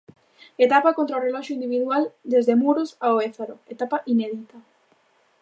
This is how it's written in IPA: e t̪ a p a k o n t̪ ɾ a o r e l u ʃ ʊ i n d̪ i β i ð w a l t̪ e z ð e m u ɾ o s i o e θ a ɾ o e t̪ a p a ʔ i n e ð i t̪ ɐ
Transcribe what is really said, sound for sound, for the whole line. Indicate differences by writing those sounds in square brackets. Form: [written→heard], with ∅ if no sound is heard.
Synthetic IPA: e t̪ a p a k o n t̪ ɾ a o r e l [u→ɔ] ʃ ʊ i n d̪ i β i ð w a l [t̪→d̪] e z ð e m u ɾ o s [i→a] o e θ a ɾ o e t̪ a p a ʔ i n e ð i t̪ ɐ